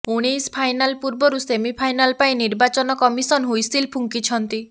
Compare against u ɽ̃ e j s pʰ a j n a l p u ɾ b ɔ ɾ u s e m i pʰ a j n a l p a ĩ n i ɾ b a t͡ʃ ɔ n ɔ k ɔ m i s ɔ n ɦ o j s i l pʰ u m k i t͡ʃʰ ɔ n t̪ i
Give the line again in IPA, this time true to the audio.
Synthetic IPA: u ɽ̃ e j s pʰ a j n a l p u ɾ b ɔ ɾ u s e m i pʰ a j n a l p a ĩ n i ɾ b a t͡ʃ ɔ n ɔ k ɔ m i s ɔ n ɦ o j s i l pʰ u ŋ k i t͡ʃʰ ɔ n t̪ i